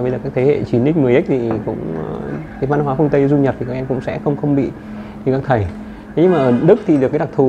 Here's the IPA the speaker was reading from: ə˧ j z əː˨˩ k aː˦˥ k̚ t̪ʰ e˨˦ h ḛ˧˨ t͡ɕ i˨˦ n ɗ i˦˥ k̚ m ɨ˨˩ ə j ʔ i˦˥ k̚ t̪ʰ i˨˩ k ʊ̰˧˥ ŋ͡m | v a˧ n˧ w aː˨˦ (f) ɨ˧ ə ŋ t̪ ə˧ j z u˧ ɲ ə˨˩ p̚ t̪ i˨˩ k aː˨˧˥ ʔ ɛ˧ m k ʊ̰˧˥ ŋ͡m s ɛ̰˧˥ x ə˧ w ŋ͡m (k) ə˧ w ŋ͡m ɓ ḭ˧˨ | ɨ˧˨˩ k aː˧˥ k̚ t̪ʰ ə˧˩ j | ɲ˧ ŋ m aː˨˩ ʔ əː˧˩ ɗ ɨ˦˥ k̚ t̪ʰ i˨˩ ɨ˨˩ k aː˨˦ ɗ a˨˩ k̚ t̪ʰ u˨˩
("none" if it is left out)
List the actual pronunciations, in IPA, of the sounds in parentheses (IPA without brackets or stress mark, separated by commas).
f, x